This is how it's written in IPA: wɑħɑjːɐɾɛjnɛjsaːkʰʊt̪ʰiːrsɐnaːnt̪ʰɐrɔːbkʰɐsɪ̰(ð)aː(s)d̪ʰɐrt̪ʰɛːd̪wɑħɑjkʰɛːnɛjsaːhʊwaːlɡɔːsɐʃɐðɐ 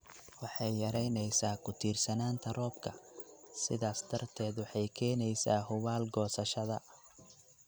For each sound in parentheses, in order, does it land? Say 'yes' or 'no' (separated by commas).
yes, yes